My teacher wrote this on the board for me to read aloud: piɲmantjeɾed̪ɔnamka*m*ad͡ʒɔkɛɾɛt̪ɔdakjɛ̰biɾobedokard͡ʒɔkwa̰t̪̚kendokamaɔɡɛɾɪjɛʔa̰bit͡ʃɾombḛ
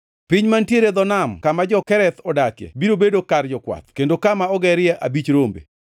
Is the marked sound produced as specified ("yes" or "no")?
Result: yes